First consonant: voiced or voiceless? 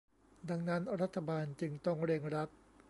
voiced